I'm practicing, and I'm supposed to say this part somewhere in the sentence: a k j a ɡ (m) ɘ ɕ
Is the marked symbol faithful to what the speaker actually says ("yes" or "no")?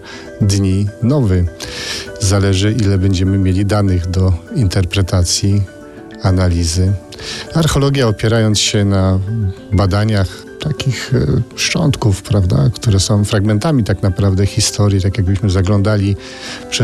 no